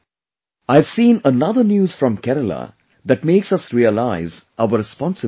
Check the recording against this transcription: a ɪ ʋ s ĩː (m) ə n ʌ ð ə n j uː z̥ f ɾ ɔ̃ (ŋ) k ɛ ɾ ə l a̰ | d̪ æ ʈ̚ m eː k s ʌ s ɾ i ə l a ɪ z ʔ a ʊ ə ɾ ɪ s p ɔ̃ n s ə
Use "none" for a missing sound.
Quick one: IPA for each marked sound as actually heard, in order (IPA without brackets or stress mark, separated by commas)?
n, m